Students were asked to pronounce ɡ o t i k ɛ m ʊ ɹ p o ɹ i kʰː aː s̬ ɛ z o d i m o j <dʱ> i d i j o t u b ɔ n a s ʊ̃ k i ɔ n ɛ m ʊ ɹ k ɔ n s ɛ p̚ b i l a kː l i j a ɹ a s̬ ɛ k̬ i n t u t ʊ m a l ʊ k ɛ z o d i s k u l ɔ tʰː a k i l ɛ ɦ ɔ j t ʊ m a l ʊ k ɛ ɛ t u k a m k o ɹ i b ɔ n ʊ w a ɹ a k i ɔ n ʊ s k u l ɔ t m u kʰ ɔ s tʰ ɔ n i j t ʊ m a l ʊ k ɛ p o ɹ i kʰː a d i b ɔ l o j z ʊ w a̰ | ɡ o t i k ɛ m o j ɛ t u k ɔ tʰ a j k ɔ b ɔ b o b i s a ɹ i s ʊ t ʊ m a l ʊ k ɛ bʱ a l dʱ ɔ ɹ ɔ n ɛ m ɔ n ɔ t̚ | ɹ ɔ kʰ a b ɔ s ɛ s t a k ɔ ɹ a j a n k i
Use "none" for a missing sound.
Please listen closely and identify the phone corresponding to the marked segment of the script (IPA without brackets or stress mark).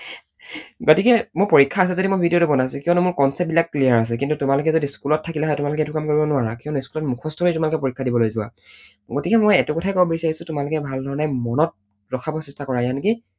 bʱ